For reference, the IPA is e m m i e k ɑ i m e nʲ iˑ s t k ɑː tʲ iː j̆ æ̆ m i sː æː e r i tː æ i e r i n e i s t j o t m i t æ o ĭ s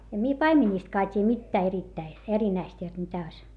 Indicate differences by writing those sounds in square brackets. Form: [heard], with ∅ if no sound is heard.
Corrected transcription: e m m i e [p] ɑ i m e nʲ iˑ s t k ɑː tʲ iː j̆ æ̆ m i [tː] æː e r i tː æ i e r i n [æ] i s t j o t m i t æ o ĭ s